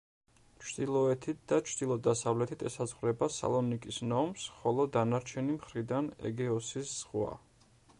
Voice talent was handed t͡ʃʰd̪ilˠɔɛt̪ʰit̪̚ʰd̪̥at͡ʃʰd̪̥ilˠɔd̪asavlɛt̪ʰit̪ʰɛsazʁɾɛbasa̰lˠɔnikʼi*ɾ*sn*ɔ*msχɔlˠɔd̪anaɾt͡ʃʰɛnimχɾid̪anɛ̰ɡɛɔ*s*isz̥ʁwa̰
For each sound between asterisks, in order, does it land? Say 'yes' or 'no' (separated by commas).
no, yes, yes